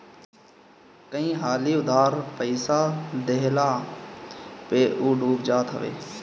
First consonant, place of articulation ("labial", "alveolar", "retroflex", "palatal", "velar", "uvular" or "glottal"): velar